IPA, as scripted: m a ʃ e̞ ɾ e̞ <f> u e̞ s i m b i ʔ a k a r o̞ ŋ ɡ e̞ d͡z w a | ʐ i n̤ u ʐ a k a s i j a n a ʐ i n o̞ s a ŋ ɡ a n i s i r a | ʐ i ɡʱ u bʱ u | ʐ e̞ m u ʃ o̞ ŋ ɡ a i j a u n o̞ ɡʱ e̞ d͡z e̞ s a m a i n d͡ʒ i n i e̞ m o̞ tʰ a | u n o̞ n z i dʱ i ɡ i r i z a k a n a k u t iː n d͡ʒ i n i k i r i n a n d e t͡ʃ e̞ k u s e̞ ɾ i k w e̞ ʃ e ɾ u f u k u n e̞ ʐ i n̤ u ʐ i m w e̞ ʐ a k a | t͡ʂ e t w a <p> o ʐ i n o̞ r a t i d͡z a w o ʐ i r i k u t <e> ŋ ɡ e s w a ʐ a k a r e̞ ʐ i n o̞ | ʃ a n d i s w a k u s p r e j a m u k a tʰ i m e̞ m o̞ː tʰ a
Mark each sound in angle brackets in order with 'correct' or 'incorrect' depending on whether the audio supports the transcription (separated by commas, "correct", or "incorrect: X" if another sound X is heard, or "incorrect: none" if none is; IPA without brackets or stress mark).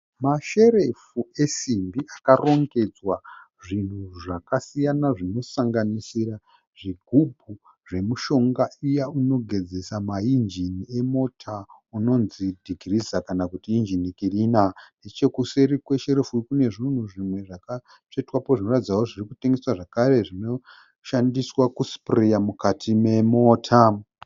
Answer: correct, correct, correct